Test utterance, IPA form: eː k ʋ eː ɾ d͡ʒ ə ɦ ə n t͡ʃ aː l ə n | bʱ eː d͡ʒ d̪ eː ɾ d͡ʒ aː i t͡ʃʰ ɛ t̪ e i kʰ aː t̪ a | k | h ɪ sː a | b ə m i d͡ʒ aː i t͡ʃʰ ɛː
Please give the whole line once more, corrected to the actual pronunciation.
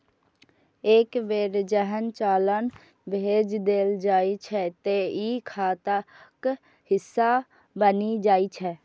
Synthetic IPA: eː k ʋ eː ɾ d͡ʒ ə ɦ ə n t͡ʃ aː l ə n | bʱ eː d͡ʒ d̪ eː l d͡ʒ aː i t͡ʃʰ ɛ t̪ e i kʰ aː t̪ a | k | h ɪ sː a | b ə n i d͡ʒ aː i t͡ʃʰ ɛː